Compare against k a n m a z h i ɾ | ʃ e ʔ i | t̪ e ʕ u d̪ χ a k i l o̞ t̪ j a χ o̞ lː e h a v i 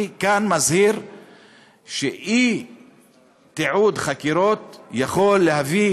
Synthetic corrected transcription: k a n m a z h i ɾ | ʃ e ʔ i | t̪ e ʕ u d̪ χ a k i ɾ o̞ t̪ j a χ o̞ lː e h a v i